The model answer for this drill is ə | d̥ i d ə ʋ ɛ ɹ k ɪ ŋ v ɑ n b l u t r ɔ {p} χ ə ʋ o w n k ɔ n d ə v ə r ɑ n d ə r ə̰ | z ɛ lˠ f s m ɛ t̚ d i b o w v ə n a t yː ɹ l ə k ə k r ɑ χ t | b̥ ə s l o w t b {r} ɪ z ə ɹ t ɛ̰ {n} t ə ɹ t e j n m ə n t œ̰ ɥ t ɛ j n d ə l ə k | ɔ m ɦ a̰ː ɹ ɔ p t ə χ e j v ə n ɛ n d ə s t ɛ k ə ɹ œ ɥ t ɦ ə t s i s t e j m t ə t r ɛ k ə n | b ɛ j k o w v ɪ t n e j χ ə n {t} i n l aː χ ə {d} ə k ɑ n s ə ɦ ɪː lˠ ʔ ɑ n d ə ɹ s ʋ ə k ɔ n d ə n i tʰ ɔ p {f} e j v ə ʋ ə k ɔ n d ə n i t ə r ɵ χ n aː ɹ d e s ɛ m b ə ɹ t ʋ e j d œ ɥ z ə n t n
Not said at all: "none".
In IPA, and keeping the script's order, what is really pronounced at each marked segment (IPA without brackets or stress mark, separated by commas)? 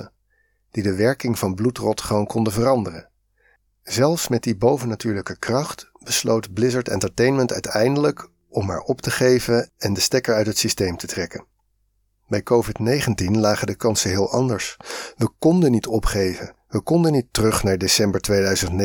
t, l, n, t, d, χ